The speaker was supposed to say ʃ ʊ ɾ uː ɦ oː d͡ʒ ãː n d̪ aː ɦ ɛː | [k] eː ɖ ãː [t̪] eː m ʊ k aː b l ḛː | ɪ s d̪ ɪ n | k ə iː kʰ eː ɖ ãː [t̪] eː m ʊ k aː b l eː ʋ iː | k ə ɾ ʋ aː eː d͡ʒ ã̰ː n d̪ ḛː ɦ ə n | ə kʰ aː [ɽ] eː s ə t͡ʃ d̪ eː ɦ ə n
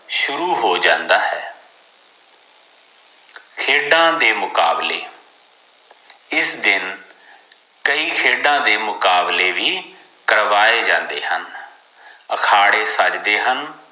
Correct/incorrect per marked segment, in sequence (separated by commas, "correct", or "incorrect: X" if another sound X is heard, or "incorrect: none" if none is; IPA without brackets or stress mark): incorrect: kʰ, incorrect: d̪, incorrect: d̪, correct